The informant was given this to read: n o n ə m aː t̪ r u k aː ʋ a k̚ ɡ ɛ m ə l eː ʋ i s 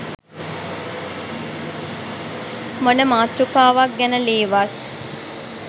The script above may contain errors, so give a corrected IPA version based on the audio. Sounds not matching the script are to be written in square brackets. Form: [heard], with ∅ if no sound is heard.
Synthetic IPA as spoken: [m] o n ə m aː t̪ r u k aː ʋ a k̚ ɡ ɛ [n] ə l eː ʋ [a] s